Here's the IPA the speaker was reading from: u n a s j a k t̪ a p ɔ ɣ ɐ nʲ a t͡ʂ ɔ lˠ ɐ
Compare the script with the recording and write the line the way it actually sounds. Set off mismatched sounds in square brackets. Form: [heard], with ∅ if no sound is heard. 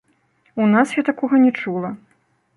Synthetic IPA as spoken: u n a s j a [∅] t̪ a [k] ɔ ɣ ɐ nʲ [ɛ] t͡ʂ [u] lˠ ɐ